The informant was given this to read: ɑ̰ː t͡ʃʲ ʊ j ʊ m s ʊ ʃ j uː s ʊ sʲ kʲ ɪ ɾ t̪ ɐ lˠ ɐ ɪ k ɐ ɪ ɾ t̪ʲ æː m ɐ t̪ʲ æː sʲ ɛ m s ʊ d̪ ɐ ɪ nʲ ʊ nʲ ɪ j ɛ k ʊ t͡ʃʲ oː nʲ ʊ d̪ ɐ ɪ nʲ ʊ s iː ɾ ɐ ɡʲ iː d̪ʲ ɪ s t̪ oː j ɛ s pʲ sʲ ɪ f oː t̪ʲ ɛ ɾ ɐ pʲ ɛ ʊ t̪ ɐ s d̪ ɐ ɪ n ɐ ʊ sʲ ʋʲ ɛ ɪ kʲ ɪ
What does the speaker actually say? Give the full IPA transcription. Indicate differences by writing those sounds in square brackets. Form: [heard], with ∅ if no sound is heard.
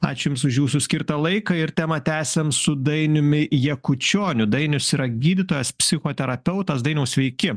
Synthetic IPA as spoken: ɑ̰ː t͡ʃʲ ʊ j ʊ m s ʊ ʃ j uː s ʊ sʲ kʲ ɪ ɾ t̪ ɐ lˠ ɐ ɪ k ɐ ɪ ɾ t̪ʲ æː m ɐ t̪ʲ æː sʲ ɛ m s ʊ d̪ ɐ ɪ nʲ ʊ [mʲ] ɪ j ɛ k ʊ t͡ʃʲ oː nʲ ʊ d̪ ɐ ɪ nʲ ʊ s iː ɾ ɐ ɡʲ iː d̪ʲ ɪ [∅] t̪ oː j ɛ s pʲ sʲ ɪ [x] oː t̪ʲ ɛ ɾ ɐ pʲ ɛ ʊ t̪ ɐ s d̪ ɐ ɪ n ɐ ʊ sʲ ʋʲ ɛ ɪ kʲ ɪ